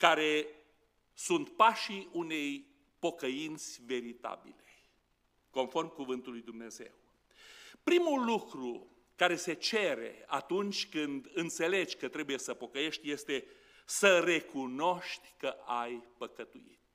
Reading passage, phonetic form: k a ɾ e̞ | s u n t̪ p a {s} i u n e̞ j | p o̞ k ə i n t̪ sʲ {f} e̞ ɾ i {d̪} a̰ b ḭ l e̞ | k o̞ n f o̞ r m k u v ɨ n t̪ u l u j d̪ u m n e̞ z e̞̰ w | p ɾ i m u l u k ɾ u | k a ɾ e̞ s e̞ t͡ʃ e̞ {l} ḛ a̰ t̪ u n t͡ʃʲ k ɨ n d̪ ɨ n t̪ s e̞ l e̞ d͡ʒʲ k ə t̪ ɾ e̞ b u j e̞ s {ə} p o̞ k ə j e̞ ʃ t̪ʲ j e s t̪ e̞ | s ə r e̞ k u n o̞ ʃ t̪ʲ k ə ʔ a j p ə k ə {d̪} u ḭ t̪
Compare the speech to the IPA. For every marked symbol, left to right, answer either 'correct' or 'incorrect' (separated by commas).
incorrect, incorrect, incorrect, incorrect, correct, incorrect